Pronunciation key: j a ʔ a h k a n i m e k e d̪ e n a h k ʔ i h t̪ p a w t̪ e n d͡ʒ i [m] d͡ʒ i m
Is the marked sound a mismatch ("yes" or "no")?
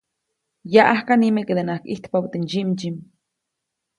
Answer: no